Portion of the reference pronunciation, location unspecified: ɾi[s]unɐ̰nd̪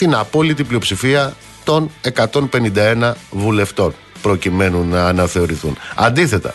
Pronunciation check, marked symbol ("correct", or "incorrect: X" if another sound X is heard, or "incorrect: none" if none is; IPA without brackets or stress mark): incorrect: θ